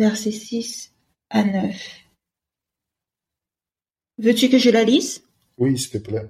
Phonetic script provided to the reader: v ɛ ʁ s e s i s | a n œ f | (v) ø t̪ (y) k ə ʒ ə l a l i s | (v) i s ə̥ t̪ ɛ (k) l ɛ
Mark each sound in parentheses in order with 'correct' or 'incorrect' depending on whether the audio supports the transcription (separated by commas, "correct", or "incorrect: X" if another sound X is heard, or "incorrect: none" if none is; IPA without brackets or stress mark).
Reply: correct, correct, incorrect: w, incorrect: p